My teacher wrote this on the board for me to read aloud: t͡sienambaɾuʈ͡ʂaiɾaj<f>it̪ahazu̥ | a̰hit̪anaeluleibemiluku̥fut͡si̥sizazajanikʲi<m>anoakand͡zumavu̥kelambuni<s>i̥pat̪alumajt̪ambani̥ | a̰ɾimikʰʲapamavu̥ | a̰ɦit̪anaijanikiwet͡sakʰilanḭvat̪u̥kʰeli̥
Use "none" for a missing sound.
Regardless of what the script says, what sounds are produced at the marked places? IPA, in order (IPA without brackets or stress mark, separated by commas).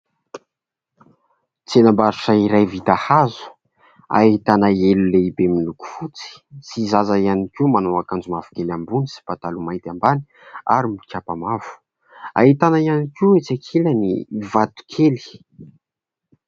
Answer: v, m, s